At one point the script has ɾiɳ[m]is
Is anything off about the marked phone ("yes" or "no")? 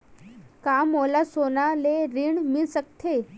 no